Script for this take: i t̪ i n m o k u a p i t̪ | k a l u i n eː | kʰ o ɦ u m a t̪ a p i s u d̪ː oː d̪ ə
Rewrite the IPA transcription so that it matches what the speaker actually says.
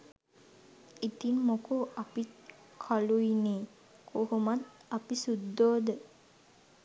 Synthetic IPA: i t̪ i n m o k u a p i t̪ | kʰ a l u i n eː | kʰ o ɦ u m a t̪ a p i s u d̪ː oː d̪ ə